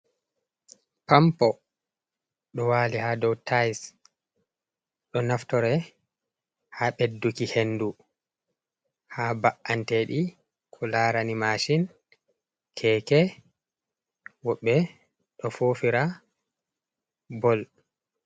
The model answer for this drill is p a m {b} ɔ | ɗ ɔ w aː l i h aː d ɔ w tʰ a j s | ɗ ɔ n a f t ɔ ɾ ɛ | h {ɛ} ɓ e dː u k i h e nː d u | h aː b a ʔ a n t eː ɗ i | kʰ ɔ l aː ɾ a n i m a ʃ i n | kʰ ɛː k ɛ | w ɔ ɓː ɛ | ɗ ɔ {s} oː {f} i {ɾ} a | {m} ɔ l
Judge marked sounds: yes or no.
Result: no, no, no, yes, yes, no

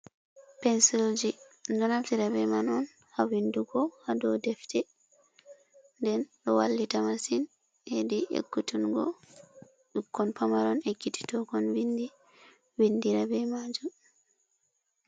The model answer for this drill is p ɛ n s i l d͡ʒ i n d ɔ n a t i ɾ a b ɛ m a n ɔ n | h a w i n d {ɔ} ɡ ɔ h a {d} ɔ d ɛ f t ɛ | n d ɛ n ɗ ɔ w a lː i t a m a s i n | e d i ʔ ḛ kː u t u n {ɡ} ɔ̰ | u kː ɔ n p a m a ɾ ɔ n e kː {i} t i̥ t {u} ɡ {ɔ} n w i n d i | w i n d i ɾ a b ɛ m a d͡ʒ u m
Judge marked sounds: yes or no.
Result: no, yes, yes, yes, no, yes

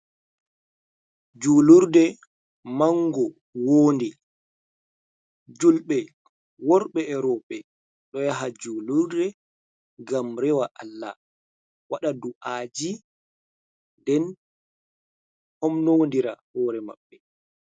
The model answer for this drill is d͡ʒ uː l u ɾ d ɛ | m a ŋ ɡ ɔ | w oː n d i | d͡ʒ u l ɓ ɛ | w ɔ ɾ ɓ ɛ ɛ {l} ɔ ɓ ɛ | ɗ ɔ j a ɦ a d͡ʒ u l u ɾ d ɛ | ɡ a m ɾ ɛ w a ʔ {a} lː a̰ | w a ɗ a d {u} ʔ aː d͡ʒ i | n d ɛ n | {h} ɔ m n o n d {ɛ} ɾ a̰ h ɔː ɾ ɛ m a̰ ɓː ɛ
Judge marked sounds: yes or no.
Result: no, yes, yes, yes, no

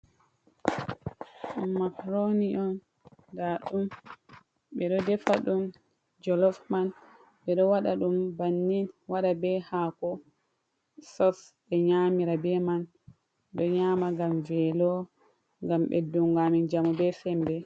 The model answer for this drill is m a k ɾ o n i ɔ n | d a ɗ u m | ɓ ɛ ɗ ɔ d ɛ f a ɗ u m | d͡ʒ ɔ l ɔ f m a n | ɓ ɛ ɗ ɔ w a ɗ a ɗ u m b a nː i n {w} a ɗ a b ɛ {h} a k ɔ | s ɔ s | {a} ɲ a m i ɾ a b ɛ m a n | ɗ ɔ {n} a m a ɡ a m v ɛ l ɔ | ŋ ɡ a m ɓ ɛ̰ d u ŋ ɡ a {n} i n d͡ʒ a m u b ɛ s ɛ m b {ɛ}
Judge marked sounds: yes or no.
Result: yes, yes, no, no, no, yes

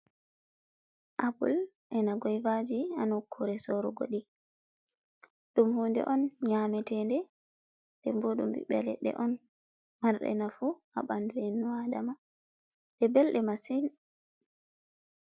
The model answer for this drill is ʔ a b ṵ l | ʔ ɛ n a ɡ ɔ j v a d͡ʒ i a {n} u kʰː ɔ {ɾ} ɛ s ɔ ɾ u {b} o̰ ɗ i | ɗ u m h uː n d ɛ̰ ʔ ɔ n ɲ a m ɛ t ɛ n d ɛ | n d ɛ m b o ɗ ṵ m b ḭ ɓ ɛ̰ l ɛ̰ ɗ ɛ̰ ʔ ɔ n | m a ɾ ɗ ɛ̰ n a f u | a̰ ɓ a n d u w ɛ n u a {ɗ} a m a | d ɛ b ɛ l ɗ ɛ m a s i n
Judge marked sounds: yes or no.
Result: yes, yes, no, no

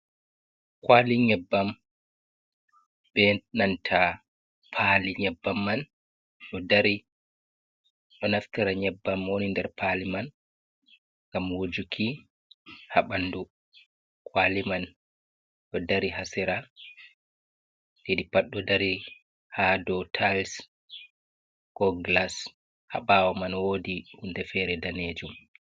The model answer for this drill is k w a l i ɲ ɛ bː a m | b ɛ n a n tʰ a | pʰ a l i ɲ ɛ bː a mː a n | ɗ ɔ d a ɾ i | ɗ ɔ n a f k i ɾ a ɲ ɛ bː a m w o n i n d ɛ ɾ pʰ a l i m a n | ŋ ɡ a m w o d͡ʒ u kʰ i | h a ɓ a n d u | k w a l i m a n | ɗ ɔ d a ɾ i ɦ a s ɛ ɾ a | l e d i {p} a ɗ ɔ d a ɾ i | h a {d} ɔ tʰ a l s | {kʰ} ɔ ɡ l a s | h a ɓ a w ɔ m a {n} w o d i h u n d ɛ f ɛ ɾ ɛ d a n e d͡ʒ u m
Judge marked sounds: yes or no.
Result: yes, yes, no, yes

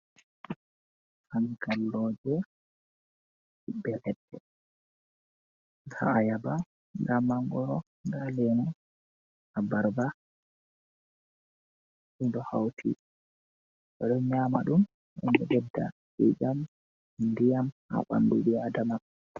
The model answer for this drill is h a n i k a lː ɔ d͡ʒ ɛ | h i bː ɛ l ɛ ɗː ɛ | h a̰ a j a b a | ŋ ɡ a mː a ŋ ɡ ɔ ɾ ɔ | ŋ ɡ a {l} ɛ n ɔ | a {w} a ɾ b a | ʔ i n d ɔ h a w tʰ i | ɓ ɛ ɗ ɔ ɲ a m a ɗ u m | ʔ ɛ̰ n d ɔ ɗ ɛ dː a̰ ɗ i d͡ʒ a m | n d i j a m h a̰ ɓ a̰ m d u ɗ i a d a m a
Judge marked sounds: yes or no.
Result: yes, no

